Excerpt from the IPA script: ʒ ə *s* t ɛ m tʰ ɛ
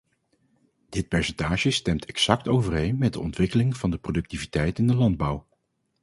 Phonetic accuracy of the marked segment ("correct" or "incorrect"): correct